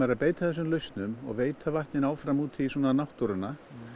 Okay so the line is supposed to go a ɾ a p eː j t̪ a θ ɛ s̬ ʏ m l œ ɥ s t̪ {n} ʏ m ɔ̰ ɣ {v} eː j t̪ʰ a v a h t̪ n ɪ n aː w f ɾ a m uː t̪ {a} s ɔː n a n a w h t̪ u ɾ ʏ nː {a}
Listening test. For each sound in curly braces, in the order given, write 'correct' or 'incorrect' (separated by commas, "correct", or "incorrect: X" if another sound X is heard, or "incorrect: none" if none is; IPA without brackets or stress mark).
correct, correct, incorrect: i, correct